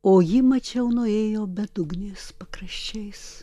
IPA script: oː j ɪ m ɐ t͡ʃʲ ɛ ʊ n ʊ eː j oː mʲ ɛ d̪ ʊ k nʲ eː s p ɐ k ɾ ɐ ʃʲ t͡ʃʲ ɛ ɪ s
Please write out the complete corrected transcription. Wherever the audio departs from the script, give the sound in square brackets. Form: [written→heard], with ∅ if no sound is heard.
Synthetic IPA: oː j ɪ m ɐ t͡ʃʲ ɛ ʊ n ʊ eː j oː [mʲ→bʲ] ɛ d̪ ʊ [k→ɡ] nʲ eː s p ɐ k ɾ ɐ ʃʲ t͡ʃʲ ɛ ɪ s